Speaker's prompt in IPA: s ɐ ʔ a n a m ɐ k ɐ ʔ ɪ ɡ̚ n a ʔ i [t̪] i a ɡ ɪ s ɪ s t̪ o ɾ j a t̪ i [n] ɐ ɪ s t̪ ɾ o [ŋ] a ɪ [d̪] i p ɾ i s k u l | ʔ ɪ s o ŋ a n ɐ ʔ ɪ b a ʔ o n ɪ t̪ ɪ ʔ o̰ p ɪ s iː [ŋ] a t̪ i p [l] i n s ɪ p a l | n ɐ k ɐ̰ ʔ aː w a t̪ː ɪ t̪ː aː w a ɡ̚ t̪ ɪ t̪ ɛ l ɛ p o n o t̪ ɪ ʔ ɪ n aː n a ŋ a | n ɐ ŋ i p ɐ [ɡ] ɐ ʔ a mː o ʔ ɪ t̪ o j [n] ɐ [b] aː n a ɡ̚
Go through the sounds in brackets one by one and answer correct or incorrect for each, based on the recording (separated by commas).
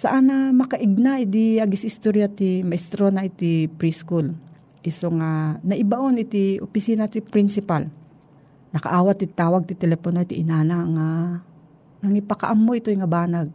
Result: incorrect, incorrect, incorrect, incorrect, incorrect, incorrect, incorrect, incorrect, correct